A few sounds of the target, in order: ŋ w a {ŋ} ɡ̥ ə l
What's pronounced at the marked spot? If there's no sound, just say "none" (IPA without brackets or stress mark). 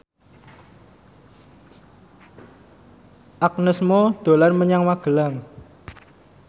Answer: none